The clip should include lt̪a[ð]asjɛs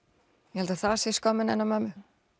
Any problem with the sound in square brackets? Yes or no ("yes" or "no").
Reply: yes